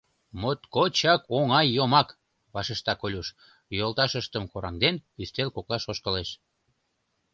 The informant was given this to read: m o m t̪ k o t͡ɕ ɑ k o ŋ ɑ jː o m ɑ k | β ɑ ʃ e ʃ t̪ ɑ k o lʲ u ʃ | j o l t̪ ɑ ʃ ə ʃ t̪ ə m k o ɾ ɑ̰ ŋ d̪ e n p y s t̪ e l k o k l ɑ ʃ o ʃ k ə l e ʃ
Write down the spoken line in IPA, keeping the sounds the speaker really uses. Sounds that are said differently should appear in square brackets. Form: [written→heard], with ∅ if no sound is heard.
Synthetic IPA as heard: m o [m→∅] t̪ k o t͡ɕ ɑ k o ŋ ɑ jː o m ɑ k | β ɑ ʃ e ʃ t̪ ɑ k o lʲ u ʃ | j o l t̪ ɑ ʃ ə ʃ t̪ ə m k o ɾ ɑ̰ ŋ d̪ e n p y s t̪ e l k o k l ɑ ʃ o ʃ k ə l e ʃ